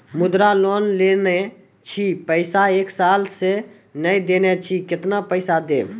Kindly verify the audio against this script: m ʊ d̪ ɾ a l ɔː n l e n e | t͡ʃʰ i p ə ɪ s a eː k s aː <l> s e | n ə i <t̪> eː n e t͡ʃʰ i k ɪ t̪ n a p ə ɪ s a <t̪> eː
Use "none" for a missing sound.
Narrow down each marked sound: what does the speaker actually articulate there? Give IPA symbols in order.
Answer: l, d̪, d̪

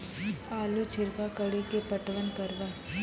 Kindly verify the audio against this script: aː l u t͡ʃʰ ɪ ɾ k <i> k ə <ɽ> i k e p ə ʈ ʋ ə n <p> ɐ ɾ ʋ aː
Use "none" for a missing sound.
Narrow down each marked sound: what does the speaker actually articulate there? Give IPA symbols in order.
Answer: a, ɽ, k

